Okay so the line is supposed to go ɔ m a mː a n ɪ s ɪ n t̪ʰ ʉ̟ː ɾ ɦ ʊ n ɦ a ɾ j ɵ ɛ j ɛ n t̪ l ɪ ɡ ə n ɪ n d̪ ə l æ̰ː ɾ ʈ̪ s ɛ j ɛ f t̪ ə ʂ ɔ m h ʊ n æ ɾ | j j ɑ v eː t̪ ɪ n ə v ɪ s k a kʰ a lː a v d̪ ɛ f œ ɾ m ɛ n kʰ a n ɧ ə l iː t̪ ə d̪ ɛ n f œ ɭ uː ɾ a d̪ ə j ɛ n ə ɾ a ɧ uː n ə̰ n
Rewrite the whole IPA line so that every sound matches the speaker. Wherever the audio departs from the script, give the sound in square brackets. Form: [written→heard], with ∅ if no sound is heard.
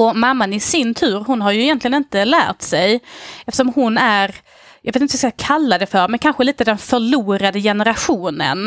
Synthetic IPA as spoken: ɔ m a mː a n ɪ s ɪ n t̪ʰ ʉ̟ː ɾ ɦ ʊ n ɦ a ɾ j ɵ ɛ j ɛ n t̪ l ɪ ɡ ə n ɪ n [d̪→t̪] ə l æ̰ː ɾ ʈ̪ s ɛ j ɛ f t̪ ə ʂ ɔ m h ʊ n æ ɾ | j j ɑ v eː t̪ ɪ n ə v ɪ s k a kʰ a lː a [v→∅] d̪ ɛ f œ ɾ m ɛ n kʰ a n ɧ ə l iː t̪ ə d̪ ɛ n f œ ɭ uː ɾ a d̪ ə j ɛ n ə ɾ a ɧ uː n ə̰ n